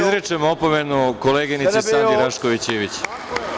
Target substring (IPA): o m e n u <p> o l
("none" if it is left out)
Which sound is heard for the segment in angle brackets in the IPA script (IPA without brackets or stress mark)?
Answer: k